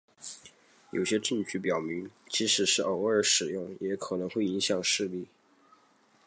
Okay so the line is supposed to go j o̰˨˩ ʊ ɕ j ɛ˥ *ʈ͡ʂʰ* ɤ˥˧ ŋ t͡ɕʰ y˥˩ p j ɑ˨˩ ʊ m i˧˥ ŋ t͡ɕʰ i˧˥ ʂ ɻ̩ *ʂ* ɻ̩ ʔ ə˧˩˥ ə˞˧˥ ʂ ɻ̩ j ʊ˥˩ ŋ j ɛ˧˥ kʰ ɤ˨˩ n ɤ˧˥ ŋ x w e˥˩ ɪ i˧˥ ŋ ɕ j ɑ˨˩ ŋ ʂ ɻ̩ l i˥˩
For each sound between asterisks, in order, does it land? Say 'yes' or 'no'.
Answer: no, yes

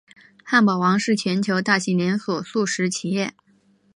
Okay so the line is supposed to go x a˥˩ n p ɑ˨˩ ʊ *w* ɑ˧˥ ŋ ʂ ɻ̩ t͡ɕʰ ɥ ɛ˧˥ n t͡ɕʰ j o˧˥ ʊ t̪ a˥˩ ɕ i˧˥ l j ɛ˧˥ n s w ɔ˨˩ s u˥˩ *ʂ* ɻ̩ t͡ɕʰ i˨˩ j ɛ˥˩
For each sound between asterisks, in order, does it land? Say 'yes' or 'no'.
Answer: yes, yes

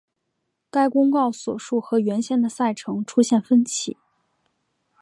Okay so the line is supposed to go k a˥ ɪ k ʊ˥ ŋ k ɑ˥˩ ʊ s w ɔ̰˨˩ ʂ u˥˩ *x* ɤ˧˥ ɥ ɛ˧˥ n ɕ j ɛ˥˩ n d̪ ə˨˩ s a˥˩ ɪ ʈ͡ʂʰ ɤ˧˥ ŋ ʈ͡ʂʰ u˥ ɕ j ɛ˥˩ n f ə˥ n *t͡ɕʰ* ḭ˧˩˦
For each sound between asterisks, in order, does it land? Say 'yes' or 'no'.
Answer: yes, yes

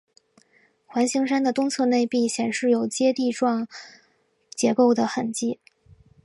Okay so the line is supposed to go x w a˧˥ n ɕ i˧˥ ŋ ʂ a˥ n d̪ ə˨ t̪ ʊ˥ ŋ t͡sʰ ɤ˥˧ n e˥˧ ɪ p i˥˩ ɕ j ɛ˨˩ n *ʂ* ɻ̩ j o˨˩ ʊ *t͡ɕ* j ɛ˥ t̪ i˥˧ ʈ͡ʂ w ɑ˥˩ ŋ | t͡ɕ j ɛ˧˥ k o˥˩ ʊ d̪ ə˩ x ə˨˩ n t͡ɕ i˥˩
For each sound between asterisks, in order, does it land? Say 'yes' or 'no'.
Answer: yes, yes

